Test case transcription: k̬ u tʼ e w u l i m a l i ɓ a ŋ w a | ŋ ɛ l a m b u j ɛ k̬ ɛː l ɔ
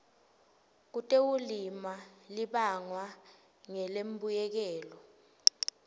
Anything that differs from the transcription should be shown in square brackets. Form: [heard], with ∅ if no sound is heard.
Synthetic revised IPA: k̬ u tʼ e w u l i m a l i ɓ a ŋ w a | ŋ ɛ l [e] m b u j ɛ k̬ ɛː l ɔ